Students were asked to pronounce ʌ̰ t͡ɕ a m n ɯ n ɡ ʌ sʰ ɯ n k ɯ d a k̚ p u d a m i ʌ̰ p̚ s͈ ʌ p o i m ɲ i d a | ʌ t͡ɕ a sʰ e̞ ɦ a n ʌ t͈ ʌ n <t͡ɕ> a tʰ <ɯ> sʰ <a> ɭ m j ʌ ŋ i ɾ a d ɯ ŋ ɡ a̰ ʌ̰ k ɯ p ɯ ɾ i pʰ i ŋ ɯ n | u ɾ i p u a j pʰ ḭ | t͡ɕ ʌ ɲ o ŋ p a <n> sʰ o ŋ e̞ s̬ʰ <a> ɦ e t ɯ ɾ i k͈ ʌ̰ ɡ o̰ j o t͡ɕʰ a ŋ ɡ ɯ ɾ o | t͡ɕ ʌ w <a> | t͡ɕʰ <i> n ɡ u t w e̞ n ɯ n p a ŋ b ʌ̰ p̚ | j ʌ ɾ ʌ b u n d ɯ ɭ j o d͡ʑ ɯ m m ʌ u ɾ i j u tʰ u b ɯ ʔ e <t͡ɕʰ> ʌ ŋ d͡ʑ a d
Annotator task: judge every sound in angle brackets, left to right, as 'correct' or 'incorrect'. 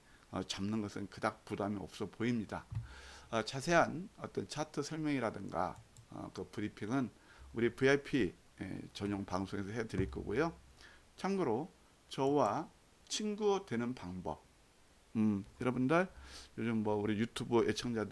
incorrect: t͡ɕʰ, correct, incorrect: ʌ, incorrect: ŋ, incorrect: ʌ, correct, correct, correct

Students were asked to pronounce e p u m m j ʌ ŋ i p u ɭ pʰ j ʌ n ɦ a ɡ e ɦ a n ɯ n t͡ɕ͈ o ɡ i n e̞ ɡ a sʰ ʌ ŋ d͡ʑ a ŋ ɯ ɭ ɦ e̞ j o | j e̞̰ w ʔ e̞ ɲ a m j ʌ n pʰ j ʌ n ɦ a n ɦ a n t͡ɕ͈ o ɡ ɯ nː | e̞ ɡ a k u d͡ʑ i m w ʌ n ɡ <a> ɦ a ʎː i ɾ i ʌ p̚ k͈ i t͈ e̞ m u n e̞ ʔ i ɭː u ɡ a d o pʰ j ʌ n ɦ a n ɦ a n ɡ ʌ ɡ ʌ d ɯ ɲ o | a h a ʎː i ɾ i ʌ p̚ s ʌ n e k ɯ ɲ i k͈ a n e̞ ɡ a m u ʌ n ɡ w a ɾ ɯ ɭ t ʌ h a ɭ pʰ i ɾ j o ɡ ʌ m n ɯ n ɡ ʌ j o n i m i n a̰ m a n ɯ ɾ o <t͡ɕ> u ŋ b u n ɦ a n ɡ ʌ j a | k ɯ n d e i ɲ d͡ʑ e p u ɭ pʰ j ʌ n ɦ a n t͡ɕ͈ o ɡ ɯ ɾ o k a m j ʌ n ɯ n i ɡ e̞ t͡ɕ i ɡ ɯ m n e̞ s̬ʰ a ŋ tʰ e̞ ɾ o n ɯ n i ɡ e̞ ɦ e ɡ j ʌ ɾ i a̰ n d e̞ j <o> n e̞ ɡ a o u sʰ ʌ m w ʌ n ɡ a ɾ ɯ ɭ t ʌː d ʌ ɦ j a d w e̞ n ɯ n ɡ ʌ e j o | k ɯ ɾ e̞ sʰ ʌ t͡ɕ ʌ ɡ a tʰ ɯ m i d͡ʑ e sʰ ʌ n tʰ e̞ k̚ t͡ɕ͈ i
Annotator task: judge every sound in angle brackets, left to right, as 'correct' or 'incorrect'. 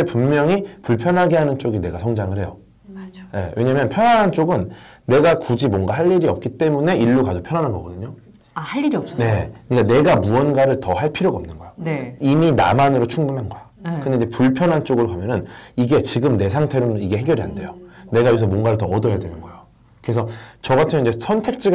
correct, incorrect: t͡ɕʰ, correct

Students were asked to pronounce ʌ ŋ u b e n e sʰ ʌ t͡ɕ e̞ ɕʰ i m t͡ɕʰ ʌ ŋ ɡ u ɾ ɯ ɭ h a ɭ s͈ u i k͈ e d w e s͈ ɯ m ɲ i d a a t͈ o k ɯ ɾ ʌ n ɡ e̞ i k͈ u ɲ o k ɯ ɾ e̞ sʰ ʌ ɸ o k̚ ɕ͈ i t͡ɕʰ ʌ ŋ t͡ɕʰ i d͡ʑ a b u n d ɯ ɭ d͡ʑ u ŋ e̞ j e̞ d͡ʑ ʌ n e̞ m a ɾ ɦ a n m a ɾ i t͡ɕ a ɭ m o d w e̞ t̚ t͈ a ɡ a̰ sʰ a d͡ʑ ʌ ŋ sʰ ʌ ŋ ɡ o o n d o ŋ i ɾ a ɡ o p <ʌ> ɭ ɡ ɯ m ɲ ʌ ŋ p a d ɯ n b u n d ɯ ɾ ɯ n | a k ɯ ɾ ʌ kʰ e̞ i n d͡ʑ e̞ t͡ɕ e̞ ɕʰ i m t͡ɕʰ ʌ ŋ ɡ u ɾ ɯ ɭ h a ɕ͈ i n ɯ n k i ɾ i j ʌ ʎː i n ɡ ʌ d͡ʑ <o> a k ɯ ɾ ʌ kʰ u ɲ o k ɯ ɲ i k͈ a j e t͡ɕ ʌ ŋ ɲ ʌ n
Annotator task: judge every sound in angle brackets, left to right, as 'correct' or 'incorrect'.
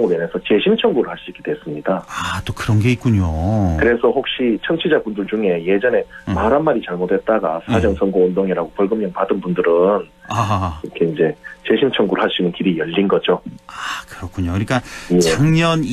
correct, correct

